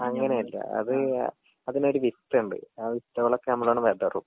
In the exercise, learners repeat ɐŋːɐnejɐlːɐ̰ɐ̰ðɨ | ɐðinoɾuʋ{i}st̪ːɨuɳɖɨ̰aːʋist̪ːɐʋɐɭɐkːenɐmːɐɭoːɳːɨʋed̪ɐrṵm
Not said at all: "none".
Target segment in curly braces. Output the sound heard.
i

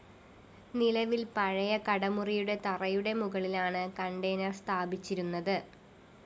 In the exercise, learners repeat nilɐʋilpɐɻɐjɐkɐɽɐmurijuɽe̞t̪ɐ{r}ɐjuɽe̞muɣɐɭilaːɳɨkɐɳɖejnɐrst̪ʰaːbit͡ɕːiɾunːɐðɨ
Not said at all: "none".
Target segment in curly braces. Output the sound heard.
r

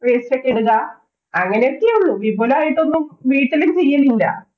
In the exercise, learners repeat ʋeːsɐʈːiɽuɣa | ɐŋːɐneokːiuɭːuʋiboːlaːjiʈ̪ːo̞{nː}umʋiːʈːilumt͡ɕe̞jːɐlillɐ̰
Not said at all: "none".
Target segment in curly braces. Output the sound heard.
nː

